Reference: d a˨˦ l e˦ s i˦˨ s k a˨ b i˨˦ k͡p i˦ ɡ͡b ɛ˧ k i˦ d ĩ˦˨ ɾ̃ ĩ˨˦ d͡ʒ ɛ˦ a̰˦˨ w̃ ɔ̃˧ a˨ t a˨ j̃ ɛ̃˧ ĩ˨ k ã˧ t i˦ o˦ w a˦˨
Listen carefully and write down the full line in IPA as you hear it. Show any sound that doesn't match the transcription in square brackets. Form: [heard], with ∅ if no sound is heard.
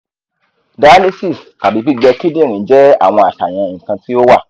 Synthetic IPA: d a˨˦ l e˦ s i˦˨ s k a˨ b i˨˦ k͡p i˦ ɡ͡b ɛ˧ k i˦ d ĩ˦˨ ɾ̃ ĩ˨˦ d͡ʒ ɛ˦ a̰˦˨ w̃ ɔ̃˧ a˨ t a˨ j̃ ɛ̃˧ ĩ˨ k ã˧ t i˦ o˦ w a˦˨